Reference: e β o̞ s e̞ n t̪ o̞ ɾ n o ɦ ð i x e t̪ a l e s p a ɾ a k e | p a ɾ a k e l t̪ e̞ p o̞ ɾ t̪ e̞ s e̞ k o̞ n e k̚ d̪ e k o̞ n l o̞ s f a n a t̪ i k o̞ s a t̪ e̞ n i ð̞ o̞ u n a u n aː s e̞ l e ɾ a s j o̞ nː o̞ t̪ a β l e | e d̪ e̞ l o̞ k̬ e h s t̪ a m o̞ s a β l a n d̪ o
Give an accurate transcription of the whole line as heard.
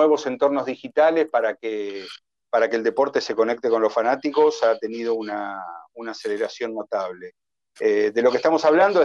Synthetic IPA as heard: e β o̞ s e̞ n t̪ o̞ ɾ n o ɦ ð i x i t̪ a l e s p a ɾ a k e | p a ɾ a k e l d̪ e̞ p o̞ ɾ t̪ e̞ s e̞ k o̞ n e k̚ t̪ e k o̞ n l o̞ s f a n a t̪ i k o̞ s a t̪ e̞ n i ð̞ o̞ u n a u n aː s e̞ l e ɾ a s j o̞ nː o̞ t̪ a β l e | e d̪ e̞ l o̞ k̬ e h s t̪ a m o̞ s a β l a n d̪ o